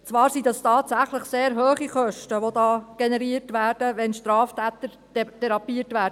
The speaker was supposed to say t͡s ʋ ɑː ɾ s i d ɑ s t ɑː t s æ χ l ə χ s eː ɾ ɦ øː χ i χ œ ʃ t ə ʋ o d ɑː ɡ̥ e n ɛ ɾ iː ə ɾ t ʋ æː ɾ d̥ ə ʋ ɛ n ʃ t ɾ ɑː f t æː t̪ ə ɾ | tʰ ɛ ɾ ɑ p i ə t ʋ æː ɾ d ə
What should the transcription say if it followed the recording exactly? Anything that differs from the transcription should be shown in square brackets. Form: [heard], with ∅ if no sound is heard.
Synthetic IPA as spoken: t͡s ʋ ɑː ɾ s i d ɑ s t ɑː t s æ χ l ə χ s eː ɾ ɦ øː χ i χ œ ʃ t ə ʋ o d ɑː ɡ̥ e n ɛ ɾ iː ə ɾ t ʋ æː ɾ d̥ ə ʋ ɛ n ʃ t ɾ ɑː f t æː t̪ ə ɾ | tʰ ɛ ɾ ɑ p i ə t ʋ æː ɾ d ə

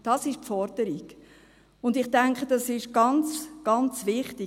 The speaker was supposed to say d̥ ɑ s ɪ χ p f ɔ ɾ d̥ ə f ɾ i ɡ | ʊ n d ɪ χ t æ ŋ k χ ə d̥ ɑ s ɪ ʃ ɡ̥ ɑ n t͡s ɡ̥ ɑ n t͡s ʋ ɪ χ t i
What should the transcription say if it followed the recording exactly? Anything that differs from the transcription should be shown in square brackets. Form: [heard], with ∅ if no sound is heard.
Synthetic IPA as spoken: d̥ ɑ s ɪ [ʃ] p f ɔ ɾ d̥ ə [∅] ɾ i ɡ | ʊ n d ɪ χ t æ ŋ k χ ə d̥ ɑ s ɪ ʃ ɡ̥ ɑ n t͡s ɡ̥ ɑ n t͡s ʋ ɪ χ t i

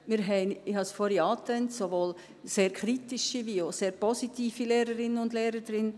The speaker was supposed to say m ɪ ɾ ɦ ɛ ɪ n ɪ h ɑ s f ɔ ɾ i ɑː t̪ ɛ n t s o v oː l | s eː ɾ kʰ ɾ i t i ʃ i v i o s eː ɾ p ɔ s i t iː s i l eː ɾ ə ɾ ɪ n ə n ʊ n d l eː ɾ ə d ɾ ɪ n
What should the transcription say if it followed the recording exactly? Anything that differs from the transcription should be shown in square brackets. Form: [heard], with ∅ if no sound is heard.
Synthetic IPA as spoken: m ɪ ɾ ɦ ɛ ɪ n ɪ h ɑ s f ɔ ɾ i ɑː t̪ ɛ n t s o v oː l | s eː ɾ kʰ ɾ i t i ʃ i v i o s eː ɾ p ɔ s i t iː [f] i l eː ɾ ə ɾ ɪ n ə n ʊ n d l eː ɾ ə d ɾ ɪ n

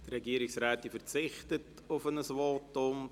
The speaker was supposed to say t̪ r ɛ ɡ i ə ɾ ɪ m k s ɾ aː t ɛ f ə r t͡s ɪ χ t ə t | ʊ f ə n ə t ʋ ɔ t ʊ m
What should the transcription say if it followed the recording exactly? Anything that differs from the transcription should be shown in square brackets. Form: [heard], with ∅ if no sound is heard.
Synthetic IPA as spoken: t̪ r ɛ ɡ i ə ɾ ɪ [∅] k s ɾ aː t [i] f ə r t͡s ɪ χ t ə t | ʊ f ə n ə [s] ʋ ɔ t ʊ m

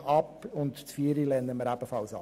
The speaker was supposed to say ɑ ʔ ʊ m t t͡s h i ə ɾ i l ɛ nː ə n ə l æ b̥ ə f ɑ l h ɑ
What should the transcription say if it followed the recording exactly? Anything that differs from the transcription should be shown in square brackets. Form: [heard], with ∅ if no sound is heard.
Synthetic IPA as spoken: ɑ [p] ʊ [n] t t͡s [f] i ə ɾ i l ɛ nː ə [m] ə [ɾ] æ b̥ ə f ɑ l [s] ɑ

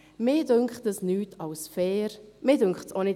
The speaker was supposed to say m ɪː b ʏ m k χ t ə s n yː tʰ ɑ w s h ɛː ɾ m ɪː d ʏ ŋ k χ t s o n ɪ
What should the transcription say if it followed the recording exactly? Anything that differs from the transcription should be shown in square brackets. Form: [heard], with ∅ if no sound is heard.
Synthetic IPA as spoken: m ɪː [d] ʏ [ŋ] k χ t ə s n yː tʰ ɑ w s [f] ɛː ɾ m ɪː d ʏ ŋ k χ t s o n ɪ

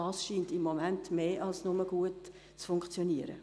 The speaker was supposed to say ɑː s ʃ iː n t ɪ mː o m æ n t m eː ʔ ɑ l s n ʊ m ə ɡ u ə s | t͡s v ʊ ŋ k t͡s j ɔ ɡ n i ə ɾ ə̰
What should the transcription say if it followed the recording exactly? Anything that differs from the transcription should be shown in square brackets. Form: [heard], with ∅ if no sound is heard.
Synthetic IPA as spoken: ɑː s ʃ iː n t ɪ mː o m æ n t m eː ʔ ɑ l s n ʊ m ə ɡ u ə [t] | t͡s [f] ʊ ŋ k t͡s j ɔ [∅] n i ə ɾ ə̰

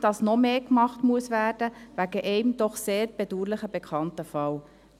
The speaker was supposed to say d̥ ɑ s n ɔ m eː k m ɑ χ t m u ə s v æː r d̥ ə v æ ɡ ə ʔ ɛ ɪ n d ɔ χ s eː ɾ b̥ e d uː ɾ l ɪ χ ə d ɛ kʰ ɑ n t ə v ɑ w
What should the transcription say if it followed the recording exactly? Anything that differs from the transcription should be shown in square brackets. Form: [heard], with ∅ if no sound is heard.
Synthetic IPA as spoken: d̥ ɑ s n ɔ m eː k m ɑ χ t m u ə s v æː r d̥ ə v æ ɡ ə ʔ ɛ ɪ [m] d ɔ χ s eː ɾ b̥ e d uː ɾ l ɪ χ ə [b] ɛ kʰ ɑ n t ə [f] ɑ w

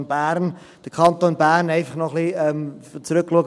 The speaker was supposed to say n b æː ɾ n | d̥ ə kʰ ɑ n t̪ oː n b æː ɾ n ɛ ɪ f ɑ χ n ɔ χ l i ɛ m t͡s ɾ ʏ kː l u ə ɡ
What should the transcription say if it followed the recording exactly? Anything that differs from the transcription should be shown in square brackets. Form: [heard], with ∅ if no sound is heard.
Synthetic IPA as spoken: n b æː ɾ n | d̥ ə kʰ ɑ n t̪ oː n b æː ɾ n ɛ ɪ f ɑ χ n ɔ χ l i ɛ m t͡s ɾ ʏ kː l u ə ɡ

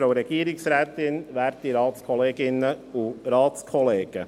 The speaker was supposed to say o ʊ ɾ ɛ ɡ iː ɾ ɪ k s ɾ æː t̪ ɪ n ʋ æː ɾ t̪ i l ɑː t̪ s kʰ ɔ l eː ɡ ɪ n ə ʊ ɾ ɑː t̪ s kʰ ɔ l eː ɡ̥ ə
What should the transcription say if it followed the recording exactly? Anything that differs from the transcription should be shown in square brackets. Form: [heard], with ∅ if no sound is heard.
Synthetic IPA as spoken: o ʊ ɾ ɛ ɡ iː ɾ ɪ k s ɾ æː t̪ ɪ n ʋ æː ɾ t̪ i [ɾ] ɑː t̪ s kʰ ɔ l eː ɡ ɪ n ə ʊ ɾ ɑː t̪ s kʰ ɔ l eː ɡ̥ ə

